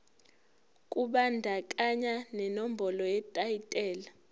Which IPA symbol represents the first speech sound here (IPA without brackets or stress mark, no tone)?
kʼ